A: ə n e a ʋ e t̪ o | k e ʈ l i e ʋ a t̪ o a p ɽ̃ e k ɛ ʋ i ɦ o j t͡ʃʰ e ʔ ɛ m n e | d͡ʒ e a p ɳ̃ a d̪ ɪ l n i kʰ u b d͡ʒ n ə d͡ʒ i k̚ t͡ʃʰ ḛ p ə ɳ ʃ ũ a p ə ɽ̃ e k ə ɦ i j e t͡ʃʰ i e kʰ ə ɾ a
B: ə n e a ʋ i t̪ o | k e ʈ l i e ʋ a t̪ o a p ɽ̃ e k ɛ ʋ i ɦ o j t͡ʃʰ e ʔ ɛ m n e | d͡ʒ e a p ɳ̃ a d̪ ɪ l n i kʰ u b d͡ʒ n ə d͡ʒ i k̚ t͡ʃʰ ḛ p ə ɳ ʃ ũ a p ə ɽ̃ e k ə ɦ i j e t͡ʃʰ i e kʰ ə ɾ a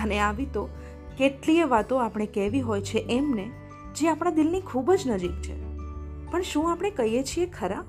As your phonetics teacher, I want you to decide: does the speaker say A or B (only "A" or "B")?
B